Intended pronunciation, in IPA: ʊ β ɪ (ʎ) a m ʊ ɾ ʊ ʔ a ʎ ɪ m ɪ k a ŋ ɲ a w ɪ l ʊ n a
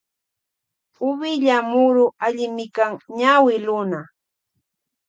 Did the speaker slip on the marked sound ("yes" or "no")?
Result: no